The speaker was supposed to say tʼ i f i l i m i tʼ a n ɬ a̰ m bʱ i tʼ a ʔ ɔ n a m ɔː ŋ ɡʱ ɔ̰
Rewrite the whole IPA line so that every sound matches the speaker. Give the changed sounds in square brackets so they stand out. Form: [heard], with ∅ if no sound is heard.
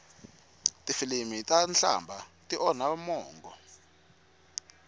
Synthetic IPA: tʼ i f i l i m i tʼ a n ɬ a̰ m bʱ [a] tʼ [i] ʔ ɔ n a m ɔː ŋ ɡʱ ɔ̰